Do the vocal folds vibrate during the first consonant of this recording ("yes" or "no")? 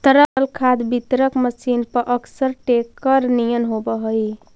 no